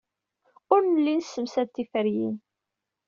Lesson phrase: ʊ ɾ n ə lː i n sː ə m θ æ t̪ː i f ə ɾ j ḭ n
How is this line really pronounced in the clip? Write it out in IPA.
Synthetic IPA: ʊ ɾ n ə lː i n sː ə m s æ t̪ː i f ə ɾ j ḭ n